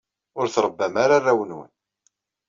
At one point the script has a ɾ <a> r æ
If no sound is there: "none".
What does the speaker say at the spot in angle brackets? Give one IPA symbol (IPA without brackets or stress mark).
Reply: a